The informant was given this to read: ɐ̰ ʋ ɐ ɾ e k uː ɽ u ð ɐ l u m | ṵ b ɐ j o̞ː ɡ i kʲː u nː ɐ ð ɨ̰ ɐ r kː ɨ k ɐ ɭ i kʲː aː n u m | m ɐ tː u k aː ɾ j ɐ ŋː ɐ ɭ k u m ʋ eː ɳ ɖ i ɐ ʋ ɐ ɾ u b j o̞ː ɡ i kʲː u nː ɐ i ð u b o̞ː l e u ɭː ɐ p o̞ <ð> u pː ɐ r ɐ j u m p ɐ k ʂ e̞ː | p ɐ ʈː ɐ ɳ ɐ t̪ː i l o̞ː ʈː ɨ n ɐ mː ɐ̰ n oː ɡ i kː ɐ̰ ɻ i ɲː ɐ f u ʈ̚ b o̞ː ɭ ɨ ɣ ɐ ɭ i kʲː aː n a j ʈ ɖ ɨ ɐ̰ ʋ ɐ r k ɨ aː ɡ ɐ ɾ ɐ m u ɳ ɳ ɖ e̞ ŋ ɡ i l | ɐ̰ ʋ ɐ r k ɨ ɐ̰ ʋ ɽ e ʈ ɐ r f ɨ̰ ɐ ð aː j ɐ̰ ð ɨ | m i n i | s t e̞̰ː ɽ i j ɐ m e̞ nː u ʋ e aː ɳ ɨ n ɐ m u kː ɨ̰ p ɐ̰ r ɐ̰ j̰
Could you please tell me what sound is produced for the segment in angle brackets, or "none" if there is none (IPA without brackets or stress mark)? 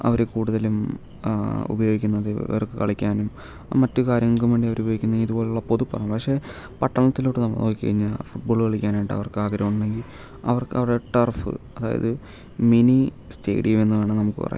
ð